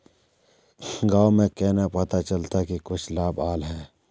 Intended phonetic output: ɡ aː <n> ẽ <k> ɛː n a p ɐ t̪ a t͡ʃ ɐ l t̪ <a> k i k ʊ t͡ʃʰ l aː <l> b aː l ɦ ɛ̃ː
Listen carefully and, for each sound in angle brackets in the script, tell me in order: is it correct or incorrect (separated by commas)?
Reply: incorrect, correct, correct, incorrect